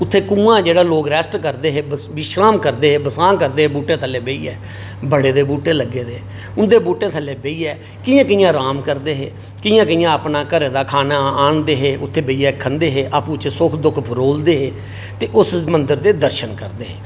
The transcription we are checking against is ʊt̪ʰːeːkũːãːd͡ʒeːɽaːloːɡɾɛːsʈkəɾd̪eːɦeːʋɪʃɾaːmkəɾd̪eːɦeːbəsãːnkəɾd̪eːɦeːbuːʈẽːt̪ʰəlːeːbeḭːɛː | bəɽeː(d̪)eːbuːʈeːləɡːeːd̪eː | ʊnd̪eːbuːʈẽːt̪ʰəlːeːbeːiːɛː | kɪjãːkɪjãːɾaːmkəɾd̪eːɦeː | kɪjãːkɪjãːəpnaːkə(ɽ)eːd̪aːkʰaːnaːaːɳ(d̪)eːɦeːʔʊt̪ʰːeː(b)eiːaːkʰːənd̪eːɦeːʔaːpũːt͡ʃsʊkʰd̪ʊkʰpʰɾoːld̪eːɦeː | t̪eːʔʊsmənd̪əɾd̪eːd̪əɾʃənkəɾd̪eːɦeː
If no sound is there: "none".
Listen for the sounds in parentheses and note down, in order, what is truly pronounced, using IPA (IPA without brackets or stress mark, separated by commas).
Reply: d̪, ɾ, d̪, b